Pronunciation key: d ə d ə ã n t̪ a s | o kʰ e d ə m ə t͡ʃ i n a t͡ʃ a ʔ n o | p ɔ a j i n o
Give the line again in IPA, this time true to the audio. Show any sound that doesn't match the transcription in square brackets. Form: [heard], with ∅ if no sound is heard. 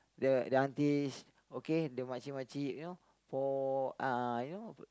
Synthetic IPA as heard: d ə d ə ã n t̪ [i] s | o [k] e d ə m [a] t͡ʃ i [m] a t͡ʃ [i] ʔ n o | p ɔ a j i n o